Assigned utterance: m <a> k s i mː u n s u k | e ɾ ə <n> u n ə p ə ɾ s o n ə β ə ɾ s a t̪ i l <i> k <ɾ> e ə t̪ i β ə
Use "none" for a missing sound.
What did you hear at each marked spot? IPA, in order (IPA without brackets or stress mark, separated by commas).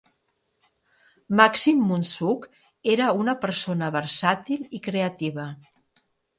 a, none, i, ɾ